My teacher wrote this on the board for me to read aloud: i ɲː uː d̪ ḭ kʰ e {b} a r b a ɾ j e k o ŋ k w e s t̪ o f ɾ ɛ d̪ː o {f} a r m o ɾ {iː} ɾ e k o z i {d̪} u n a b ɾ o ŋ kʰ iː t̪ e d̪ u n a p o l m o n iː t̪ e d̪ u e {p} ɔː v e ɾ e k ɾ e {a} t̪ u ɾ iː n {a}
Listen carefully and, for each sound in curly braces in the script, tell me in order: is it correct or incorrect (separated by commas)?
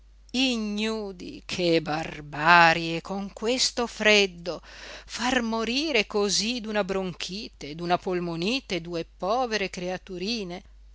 correct, correct, correct, correct, correct, correct, incorrect